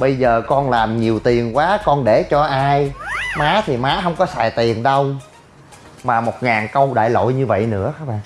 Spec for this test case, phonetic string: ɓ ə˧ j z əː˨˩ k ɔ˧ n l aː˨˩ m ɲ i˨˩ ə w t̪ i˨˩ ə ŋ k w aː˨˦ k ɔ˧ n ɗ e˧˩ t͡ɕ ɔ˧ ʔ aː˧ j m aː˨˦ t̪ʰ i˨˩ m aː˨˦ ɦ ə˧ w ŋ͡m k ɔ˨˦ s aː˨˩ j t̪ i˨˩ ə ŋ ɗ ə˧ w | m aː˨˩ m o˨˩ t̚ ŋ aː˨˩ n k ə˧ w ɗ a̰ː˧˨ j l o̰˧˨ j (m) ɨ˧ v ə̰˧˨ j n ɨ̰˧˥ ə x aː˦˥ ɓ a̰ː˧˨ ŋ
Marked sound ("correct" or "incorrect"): incorrect